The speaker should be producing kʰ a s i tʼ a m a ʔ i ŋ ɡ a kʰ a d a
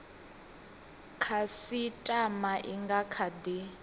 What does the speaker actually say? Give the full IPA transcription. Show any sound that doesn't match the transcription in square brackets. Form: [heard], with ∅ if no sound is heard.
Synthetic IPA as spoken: kʰ a s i tʼ a m a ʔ i ŋ ɡ a kʰ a d [i]